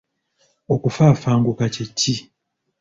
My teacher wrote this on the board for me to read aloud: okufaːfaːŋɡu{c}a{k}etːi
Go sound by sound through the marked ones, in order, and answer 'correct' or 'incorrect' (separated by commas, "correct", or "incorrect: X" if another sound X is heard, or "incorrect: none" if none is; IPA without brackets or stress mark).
incorrect: k, incorrect: c